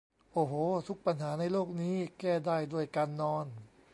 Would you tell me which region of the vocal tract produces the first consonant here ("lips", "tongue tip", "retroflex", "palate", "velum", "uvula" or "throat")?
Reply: throat